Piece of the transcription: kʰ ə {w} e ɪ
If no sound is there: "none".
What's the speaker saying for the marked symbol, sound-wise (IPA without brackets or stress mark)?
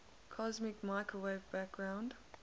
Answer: w